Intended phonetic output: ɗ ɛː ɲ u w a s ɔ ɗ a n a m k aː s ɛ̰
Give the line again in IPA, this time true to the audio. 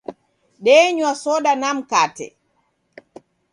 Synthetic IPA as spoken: ɗ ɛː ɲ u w a s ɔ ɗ a n a m k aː t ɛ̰